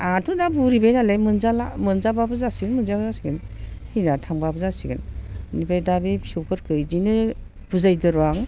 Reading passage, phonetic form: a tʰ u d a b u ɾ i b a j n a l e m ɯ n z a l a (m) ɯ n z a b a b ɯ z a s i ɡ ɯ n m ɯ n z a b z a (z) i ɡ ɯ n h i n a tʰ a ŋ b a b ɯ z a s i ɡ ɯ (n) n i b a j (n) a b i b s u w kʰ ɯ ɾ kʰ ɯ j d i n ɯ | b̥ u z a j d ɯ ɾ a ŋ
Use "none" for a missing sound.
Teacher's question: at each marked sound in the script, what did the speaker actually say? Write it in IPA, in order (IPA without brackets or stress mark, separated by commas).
m, s, n, d